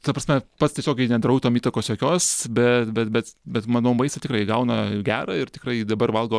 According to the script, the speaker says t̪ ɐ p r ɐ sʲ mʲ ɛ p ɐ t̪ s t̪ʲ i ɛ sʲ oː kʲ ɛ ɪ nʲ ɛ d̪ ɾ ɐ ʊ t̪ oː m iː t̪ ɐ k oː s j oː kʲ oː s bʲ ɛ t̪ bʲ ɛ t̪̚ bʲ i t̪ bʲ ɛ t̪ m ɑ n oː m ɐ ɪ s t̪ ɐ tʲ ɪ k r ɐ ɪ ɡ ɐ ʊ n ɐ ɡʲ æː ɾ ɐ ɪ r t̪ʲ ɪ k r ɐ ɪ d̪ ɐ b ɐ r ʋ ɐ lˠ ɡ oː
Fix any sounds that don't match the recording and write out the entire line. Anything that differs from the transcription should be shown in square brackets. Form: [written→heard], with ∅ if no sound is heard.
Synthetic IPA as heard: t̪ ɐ p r ɐ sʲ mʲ ɛ p ɐ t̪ s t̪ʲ i ɛ sʲ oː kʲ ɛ ɪ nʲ ɛ d̪ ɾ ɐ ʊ t̪ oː m iː t̪ ɐ k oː s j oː kʲ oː s bʲ ɛ t̪ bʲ ɛ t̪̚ bʲ [i→ɛ] t̪ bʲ ɛ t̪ m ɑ n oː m ɐ ɪ s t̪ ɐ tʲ ɪ k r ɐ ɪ ɡ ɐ ʊ n ɐ ɡʲ æː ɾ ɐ ɪ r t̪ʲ ɪ k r ɐ ɪ d̪ ɐ b ɐ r ʋ ɐ lˠ ɡ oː

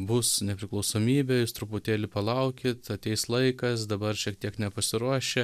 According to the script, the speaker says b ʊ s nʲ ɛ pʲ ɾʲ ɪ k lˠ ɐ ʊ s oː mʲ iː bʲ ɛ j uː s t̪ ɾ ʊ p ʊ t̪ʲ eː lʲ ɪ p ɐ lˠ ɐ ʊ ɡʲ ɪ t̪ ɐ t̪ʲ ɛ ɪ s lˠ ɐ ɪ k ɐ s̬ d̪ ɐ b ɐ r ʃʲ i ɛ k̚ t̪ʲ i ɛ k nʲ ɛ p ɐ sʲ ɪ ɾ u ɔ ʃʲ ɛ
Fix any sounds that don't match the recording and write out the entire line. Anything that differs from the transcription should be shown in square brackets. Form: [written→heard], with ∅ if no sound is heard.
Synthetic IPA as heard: b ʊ s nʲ ɛ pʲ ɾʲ ɪ k lˠ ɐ ʊ s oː mʲ iː bʲ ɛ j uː s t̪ ɾ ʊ p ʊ t̪ʲ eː lʲ ɪ p ɐ lˠ ɐ ʊ [ɡʲ→kʲ] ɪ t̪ ɐ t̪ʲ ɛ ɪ s lˠ ɐ ɪ k ɐ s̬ d̪ ɐ b ɐ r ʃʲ i ɛ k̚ t̪ʲ i ɛ k nʲ ɛ p ɐ sʲ ɪ ɾ u ɔ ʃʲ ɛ

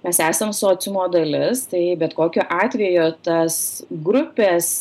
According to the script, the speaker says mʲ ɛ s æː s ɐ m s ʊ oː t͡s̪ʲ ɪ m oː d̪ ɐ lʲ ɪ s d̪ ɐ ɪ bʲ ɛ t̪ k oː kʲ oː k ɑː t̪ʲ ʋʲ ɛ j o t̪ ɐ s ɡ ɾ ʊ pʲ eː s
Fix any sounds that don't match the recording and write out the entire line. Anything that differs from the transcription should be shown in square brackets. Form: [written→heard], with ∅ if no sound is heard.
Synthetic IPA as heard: mʲ ɛ s æː s ɐ m s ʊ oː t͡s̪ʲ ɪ m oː d̪ ɐ lʲ ɪ s [d̪→t̪] ɐ ɪ bʲ ɛ t̪ k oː kʲ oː [k→ʔ] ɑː t̪ʲ ʋʲ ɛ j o t̪ ɐ s ɡ ɾ ʊ pʲ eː s

